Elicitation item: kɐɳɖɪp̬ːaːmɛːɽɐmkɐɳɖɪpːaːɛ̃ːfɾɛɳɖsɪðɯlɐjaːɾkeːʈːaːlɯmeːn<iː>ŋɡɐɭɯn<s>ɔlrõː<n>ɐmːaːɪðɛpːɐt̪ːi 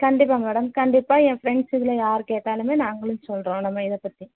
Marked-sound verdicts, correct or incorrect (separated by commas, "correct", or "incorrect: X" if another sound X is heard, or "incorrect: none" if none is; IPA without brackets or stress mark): incorrect: aː, correct, correct